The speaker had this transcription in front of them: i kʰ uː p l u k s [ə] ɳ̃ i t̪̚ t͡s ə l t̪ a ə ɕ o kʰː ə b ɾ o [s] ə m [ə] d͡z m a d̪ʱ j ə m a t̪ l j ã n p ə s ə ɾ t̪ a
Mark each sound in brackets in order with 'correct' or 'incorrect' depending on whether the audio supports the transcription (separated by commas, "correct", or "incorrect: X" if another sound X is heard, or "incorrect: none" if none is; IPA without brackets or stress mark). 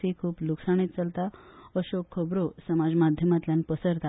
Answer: incorrect: a, correct, incorrect: a